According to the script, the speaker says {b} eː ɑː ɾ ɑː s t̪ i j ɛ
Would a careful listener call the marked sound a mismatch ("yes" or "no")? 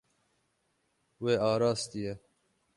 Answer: yes